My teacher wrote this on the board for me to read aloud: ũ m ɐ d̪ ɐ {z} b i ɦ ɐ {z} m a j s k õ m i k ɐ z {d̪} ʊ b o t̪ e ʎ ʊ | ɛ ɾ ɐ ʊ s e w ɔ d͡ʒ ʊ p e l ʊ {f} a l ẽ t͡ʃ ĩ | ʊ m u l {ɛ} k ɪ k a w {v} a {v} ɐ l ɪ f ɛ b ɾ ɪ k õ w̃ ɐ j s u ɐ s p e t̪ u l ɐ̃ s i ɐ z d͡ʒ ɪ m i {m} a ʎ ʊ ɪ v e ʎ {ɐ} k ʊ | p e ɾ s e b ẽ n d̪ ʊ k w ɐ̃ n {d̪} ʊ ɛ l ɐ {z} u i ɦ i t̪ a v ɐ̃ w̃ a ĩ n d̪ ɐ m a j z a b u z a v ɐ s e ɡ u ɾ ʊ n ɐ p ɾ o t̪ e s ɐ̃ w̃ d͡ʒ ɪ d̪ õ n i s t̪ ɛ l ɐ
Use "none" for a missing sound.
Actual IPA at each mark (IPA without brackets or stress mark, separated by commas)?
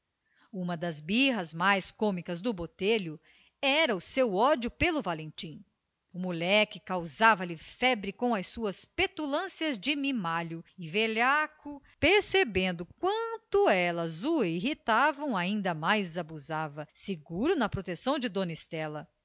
z, z, d̪, v, ɛ, z, v, m, a, t̪, z